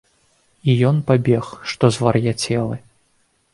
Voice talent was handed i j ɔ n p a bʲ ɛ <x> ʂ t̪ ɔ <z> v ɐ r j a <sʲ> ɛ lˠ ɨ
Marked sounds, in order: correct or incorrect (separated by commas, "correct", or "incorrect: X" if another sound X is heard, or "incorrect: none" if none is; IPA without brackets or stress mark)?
correct, correct, incorrect: t͡sʲ